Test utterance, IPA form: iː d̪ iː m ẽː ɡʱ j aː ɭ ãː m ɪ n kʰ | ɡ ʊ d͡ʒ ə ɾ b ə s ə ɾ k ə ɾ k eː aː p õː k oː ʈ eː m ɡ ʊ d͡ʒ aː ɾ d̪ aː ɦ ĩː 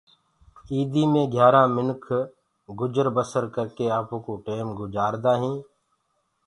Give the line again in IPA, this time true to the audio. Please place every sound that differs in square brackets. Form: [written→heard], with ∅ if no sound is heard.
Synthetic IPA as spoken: iː d̪ iː m ẽː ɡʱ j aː [ɭ→ɾ] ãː m ɪ n kʰ | ɡ ʊ d͡ʒ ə ɾ b ə s ə ɾ k ə ɾ k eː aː p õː k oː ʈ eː m ɡ ʊ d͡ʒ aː ɾ d̪ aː ɦ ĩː

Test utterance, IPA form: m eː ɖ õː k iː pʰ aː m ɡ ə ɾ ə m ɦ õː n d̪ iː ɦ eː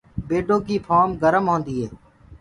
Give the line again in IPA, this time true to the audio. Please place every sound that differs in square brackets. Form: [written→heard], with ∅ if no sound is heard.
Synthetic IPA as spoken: [m→b] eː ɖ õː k iː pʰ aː m ɡ ə ɾ ə m ɦ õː n d̪ iː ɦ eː

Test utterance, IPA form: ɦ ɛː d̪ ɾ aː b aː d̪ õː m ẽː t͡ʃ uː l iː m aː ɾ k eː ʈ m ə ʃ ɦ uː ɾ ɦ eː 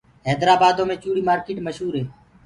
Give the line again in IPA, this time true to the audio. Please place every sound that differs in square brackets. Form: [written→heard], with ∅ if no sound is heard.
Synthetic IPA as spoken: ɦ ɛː d̪ ɾ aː b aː d̪ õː m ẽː t͡ʃ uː [l→ɽ] iː m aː ɾ k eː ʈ m ə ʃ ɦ uː ɾ ɦ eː

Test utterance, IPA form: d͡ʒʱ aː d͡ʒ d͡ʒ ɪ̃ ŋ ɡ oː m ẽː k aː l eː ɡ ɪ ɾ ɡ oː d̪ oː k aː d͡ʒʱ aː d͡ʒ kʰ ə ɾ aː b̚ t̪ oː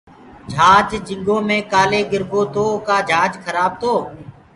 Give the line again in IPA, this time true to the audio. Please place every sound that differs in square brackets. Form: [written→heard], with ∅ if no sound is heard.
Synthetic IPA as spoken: d͡ʒʱ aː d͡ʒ d͡ʒ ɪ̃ ŋ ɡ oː m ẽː k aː l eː ɡ ɪ ɾ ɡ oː [d̪→t̪] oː k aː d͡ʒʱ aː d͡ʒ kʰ ə ɾ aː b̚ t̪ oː

